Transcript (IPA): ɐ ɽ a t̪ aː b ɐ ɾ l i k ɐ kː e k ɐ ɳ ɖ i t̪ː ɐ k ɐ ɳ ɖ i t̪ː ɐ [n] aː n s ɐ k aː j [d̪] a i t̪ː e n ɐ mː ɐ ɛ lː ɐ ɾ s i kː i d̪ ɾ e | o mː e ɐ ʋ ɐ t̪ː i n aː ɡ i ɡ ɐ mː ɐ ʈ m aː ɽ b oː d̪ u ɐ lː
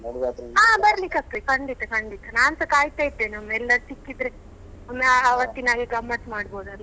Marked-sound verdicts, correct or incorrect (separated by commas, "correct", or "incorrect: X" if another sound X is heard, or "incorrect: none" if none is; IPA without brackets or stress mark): correct, incorrect: t̪